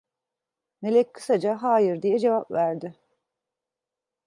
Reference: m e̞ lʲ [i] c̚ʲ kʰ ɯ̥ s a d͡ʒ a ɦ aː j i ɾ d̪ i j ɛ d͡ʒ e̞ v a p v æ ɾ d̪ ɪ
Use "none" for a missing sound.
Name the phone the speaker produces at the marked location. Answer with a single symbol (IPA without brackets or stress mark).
ɛ